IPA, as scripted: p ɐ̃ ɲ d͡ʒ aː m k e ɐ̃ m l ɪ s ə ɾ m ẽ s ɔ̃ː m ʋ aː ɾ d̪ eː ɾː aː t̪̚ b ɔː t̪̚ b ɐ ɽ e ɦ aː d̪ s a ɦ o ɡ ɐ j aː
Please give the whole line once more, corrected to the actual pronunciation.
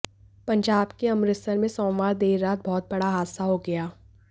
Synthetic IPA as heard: p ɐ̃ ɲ d͡ʒ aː b k e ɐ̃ m ɾ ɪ s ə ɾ m ẽ s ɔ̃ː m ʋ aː ɾ d̪ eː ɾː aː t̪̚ b ɔː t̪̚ b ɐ ɽ a ɦ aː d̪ s a ɦ o ɡ ɐ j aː